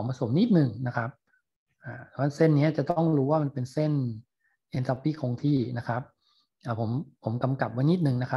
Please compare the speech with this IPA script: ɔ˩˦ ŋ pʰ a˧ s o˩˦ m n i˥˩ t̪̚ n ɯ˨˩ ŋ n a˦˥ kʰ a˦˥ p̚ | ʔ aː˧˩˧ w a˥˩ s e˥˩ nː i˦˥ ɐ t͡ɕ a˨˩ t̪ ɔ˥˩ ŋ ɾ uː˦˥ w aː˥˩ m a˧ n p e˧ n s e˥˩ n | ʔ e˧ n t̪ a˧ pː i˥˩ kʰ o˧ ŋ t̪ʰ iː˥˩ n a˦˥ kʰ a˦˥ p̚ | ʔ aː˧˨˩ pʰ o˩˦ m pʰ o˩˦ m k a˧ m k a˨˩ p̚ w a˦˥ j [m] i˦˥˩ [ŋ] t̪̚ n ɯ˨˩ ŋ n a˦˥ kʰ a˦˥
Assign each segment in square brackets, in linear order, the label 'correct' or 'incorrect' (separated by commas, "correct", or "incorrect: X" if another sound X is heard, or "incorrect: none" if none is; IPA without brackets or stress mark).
incorrect: n, incorrect: none